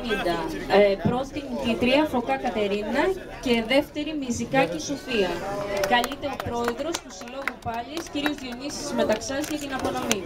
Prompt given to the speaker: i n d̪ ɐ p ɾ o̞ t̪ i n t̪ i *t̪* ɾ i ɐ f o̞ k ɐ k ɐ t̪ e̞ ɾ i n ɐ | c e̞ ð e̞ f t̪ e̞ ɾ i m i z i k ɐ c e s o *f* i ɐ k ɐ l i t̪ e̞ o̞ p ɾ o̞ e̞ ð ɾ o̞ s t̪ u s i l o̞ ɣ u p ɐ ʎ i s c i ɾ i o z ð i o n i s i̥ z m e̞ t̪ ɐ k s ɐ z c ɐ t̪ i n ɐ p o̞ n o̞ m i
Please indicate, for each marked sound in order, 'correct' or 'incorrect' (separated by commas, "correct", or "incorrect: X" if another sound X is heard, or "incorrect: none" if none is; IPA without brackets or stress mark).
correct, correct